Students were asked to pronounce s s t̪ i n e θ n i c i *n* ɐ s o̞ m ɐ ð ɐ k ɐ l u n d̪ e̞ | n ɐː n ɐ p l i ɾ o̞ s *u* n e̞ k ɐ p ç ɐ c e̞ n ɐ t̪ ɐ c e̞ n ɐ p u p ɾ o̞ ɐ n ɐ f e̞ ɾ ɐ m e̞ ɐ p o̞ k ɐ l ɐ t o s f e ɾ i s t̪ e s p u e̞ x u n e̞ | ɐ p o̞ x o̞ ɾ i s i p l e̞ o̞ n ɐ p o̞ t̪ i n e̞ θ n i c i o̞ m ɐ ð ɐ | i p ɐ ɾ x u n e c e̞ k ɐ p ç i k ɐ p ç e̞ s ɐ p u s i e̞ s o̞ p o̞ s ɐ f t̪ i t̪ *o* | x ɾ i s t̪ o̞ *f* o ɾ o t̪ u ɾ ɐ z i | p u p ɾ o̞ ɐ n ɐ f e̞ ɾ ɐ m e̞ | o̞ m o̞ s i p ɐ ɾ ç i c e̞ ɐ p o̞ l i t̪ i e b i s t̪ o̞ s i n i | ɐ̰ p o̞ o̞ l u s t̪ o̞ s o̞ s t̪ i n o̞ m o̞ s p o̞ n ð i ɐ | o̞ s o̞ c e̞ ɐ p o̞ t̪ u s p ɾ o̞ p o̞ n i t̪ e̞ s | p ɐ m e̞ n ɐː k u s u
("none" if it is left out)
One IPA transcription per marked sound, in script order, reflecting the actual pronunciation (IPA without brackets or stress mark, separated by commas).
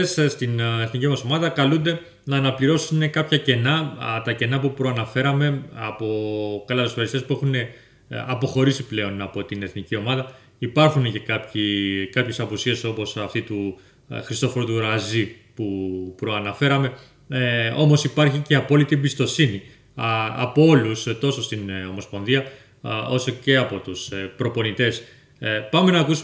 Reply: m, u, u, f